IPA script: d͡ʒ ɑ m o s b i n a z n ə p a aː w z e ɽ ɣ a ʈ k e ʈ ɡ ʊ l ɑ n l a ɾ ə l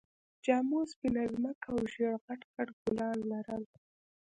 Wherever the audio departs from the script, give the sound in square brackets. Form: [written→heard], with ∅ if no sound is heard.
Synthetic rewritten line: d͡ʒ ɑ m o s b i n a z [n→m] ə [p→k] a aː w [z→ʒ] e ɽ ɣ a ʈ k [e→a] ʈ ɡ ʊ l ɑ n l a ɾ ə l